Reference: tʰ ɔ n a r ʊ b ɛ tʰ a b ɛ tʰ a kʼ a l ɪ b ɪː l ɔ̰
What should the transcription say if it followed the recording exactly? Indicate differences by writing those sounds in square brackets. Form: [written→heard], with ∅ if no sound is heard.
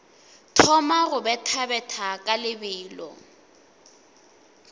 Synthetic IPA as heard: tʰ ɔ [n→m] a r ʊ b ɛ tʰ a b ɛ tʰ a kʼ a l ɪ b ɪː l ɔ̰